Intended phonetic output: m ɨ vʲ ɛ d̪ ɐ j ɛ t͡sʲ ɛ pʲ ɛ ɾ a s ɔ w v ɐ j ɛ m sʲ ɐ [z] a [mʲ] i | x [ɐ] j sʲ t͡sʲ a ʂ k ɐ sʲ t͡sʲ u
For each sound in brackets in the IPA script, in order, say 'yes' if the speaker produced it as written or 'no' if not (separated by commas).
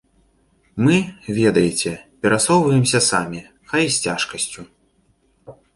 no, yes, no